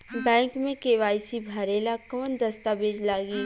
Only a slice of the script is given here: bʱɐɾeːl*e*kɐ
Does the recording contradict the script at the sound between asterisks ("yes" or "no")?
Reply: yes